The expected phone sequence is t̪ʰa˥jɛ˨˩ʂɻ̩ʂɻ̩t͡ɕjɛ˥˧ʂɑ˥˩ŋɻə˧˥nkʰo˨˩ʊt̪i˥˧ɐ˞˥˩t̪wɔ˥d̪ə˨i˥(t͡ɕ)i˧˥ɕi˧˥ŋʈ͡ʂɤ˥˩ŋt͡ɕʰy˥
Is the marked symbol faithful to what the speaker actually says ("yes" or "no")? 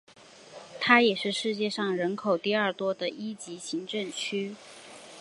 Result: yes